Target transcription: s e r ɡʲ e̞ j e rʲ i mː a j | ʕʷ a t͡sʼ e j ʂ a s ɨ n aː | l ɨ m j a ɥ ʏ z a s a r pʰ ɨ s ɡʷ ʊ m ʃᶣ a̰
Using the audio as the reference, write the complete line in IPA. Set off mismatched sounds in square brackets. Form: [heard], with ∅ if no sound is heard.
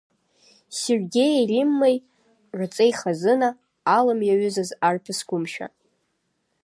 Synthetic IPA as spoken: s e r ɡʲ e̞ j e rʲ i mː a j | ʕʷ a t͡sʼ e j [χ] a [z] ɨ n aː | l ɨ m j a ɥ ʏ z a [z] a r pʰ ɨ s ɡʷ ʊ m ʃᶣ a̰